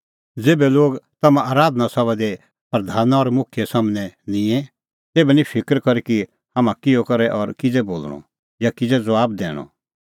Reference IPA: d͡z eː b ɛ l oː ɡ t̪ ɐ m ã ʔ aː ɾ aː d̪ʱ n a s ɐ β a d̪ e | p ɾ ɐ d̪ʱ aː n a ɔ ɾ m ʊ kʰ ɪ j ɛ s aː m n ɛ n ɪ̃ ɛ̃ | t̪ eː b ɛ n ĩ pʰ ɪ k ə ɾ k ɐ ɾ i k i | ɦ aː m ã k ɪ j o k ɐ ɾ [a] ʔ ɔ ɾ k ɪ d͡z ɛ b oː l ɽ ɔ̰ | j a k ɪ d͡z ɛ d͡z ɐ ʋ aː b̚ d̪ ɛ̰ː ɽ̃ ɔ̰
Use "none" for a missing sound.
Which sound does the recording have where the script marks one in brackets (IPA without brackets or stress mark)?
ɛ